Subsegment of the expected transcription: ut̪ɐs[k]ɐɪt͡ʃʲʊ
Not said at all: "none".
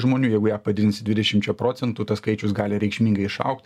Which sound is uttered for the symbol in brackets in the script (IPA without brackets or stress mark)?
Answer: k